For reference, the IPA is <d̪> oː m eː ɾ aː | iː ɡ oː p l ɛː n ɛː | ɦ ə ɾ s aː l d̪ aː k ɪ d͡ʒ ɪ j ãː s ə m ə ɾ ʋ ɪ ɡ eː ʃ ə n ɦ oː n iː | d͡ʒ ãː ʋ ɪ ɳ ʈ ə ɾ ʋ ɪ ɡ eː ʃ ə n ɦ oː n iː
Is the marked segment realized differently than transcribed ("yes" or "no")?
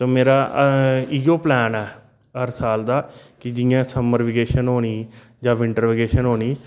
yes